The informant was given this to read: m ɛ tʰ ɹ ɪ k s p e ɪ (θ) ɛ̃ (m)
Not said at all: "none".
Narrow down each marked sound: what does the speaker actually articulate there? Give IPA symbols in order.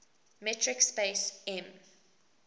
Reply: s, m

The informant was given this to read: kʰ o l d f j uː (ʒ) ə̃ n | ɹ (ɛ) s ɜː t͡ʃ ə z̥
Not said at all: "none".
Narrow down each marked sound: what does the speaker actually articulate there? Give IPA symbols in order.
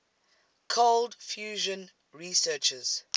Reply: ʒ, i

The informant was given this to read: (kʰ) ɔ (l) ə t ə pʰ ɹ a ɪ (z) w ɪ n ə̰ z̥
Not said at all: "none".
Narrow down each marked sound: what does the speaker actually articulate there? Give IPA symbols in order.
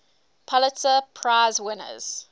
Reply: pʰ, l, z

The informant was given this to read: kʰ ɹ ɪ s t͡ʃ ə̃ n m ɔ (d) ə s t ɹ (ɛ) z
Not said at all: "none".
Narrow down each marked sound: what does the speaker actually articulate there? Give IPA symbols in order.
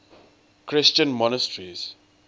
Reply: n, i

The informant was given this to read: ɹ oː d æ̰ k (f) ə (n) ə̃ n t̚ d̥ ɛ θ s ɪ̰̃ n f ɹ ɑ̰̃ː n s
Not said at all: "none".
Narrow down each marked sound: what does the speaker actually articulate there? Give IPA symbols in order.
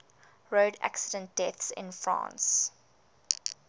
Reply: s, d

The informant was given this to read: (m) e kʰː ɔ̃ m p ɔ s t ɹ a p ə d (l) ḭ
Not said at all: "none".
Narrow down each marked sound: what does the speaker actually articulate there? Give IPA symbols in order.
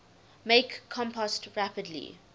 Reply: m, l

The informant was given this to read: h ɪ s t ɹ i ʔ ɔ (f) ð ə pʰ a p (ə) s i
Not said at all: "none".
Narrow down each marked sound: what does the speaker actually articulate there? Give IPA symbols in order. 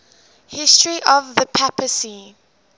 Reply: v, ə

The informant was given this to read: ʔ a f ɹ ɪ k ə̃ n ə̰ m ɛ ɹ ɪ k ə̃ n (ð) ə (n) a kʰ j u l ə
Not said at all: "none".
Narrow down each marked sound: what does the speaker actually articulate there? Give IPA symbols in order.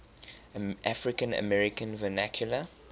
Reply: v, n

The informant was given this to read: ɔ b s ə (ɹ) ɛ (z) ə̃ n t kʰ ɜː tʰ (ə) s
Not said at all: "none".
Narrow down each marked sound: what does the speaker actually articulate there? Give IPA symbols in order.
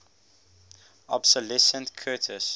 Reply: l, s, ə

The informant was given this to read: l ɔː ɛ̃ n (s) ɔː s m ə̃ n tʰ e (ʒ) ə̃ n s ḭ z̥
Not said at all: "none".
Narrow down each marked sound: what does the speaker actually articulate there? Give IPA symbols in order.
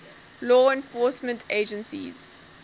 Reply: f, d͡ʒ

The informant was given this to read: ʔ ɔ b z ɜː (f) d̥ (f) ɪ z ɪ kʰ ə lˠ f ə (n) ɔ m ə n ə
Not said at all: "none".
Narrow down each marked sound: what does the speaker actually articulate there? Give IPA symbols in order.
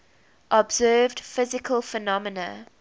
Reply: v, f, n

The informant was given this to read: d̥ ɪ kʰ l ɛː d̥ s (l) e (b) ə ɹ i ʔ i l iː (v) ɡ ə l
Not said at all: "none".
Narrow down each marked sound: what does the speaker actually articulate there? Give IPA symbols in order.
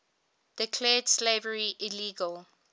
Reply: l, v, none

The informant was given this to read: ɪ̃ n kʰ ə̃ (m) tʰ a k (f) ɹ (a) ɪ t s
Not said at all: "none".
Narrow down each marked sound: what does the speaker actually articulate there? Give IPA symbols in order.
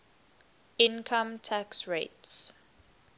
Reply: m, s, e

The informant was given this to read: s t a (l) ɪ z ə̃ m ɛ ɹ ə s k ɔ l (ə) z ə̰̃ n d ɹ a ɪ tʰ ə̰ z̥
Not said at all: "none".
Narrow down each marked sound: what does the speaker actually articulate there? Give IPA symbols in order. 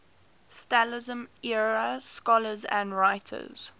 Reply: l, ə

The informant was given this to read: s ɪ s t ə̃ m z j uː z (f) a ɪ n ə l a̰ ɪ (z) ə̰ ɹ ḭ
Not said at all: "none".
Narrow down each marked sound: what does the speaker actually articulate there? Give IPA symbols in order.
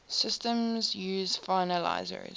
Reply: f, z

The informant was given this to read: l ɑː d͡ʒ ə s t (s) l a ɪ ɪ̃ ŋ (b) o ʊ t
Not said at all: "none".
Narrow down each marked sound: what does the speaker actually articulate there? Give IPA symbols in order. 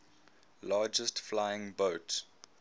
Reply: f, b

